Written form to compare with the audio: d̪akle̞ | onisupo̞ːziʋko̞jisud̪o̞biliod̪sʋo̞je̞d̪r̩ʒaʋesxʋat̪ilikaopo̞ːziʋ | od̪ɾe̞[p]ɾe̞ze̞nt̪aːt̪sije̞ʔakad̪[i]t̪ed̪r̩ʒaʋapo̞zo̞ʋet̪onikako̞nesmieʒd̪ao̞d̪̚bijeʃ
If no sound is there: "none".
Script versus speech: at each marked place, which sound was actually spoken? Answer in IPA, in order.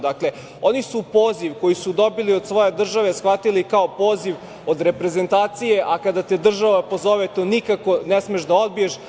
p, a

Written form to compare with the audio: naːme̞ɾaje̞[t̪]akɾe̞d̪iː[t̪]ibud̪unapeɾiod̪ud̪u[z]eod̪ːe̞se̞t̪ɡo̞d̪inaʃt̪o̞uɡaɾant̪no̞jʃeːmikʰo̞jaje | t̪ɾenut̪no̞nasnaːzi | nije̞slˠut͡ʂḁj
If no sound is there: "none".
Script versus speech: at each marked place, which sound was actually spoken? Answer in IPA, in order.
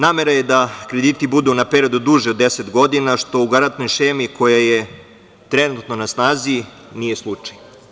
d̪, t̪, ʒ

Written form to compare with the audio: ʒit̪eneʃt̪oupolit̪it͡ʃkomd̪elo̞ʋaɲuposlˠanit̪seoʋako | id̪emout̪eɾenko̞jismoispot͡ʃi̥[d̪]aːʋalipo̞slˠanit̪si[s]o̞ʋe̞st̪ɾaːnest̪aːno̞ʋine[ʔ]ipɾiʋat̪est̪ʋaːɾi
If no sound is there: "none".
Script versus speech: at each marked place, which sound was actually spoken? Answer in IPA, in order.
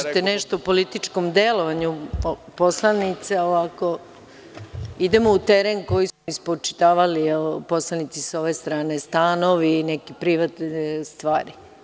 t̪, s, k

